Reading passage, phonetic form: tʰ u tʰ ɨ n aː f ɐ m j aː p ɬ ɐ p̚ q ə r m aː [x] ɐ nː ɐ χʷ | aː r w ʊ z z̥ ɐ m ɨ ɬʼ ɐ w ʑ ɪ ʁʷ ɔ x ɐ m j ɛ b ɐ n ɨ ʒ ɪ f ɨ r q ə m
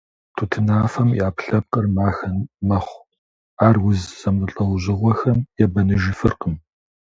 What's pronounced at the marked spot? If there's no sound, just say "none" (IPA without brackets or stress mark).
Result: x